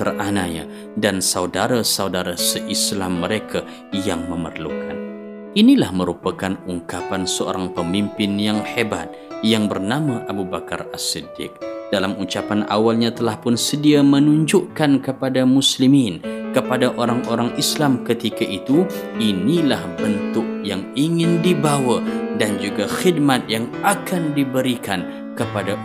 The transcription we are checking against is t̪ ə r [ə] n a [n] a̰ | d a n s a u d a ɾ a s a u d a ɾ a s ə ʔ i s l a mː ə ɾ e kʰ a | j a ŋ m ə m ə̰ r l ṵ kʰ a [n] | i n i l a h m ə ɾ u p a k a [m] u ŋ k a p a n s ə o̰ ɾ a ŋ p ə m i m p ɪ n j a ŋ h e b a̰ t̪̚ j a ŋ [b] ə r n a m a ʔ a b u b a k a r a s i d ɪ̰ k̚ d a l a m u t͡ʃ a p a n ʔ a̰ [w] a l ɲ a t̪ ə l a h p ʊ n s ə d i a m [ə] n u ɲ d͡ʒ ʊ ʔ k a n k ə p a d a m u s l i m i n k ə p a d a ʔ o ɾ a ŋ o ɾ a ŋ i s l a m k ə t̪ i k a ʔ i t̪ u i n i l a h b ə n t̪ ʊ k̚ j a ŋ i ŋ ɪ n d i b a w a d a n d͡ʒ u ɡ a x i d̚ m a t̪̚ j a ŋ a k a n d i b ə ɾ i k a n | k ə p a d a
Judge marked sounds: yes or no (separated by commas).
no, no, yes, no, yes, yes, yes